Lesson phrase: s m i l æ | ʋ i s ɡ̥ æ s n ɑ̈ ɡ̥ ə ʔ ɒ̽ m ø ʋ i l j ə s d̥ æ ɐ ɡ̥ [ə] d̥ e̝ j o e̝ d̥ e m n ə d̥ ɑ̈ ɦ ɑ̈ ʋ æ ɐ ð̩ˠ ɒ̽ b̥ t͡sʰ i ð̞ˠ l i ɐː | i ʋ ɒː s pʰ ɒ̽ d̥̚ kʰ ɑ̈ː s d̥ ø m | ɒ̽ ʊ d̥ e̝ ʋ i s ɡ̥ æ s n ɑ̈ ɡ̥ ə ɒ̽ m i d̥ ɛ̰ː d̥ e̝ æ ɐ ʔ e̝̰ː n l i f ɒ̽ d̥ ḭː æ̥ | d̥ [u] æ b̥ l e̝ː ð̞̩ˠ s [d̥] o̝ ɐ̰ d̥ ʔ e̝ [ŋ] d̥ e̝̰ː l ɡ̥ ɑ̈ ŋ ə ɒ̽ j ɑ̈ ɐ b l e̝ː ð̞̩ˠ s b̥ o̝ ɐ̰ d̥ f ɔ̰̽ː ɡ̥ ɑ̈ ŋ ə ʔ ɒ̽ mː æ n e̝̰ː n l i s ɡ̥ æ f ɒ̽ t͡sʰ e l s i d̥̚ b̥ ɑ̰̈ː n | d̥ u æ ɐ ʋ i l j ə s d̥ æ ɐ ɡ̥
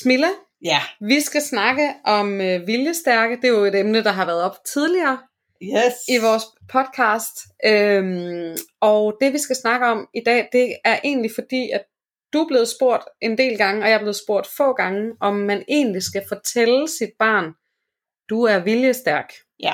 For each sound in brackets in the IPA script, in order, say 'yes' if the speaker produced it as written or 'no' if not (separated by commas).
yes, yes, no, no